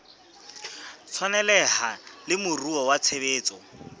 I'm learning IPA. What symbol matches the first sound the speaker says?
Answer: t͡sʰ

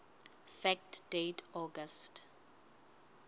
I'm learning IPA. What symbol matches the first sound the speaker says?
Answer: f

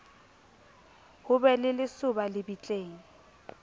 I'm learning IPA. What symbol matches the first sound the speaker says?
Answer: h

